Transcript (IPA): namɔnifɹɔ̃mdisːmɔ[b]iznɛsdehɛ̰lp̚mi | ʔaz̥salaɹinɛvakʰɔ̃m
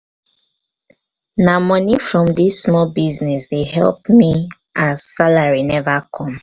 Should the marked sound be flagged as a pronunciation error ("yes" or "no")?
no